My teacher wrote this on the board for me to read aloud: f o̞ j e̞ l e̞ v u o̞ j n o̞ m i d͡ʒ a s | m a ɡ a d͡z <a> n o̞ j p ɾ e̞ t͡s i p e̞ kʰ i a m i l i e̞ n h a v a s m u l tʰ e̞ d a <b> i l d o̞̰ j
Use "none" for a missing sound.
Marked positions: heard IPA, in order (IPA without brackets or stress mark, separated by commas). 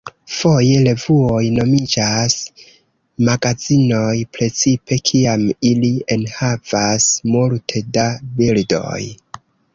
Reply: i, b